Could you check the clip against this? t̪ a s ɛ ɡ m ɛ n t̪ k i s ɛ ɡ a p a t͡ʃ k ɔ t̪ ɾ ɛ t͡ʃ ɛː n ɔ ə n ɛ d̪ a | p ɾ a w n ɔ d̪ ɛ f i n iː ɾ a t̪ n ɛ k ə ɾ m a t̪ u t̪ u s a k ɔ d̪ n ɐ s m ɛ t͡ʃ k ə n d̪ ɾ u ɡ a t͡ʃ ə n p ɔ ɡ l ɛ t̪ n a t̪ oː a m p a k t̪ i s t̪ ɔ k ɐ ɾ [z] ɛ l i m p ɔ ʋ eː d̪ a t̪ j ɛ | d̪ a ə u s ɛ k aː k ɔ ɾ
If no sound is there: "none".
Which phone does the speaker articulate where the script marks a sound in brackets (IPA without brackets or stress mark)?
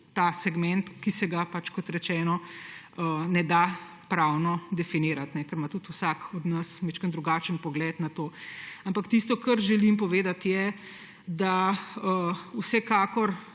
ʒ